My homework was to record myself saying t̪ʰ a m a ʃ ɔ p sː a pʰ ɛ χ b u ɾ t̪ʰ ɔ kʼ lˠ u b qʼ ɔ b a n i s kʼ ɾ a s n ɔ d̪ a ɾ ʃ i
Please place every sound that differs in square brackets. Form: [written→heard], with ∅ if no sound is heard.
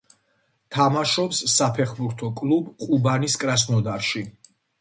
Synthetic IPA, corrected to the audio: t̪ʰ a m a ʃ ɔ p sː a pʰ ɛ χ b u ɾ t̪ʰ ɔ kʼ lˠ u b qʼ [ɔ→u] b a n i s kʼ ɾ a s n ɔ d̪ a ɾ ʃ i